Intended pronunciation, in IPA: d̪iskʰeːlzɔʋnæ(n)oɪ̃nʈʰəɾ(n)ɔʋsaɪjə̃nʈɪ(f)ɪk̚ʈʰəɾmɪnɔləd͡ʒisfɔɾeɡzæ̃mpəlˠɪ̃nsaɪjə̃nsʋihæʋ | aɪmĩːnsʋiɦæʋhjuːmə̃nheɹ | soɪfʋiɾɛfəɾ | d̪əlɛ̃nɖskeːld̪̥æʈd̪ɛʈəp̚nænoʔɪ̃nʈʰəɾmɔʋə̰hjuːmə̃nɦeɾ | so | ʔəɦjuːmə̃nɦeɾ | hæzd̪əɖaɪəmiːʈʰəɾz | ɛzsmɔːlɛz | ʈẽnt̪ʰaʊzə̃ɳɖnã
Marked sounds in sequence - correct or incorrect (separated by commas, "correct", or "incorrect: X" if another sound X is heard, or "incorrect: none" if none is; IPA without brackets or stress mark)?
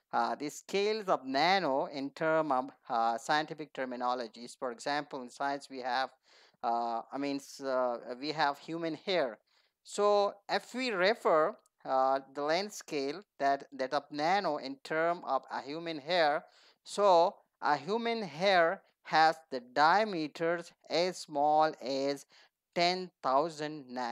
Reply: correct, incorrect: m, correct